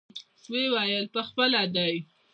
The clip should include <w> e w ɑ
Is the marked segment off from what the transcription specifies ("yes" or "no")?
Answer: no